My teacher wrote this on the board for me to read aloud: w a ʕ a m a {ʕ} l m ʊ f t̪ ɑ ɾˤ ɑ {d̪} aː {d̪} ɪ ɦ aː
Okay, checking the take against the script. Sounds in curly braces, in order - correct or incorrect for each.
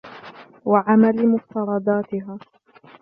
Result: incorrect: none, correct, incorrect: t̪

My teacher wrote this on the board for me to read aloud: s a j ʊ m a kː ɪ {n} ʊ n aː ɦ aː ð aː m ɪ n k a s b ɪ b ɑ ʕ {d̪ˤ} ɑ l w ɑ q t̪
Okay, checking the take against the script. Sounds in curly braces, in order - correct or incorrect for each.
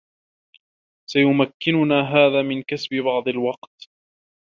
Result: correct, correct

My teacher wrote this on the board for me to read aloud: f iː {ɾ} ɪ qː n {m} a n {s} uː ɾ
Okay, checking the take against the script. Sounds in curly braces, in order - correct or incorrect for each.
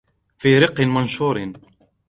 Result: correct, correct, incorrect: ʃ

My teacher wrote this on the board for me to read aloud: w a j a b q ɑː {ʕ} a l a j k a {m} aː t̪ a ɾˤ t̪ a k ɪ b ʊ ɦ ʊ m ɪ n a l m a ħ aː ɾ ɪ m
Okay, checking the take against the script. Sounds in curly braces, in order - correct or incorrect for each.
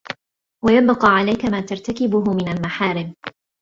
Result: correct, correct

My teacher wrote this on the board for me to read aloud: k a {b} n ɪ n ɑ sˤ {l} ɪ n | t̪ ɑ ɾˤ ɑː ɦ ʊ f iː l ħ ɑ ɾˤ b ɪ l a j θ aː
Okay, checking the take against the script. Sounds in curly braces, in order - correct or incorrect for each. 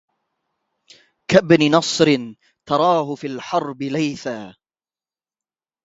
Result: correct, incorrect: ɾ

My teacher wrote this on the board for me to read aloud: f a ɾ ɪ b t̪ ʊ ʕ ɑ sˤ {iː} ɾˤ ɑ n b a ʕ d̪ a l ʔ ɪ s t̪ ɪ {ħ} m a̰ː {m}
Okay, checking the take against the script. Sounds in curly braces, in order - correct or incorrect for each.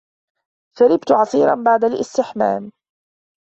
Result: correct, correct, correct

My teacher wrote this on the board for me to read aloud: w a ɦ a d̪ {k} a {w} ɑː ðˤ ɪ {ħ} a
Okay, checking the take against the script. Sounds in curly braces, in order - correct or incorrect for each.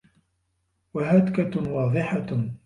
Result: correct, correct, correct

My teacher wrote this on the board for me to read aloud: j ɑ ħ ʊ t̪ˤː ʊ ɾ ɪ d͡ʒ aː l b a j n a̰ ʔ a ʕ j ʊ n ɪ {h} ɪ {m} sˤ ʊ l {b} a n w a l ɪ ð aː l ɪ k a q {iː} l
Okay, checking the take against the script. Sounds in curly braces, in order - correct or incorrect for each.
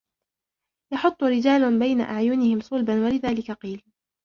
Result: correct, correct, correct, correct

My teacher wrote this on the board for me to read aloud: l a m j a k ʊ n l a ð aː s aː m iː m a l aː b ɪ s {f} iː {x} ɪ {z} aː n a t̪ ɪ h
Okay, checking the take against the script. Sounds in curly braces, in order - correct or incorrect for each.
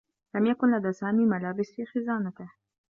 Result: correct, correct, correct

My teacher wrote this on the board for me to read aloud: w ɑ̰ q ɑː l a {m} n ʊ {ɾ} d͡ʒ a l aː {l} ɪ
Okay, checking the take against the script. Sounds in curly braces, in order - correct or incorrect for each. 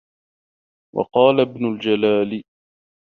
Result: incorrect: b, incorrect: l, correct

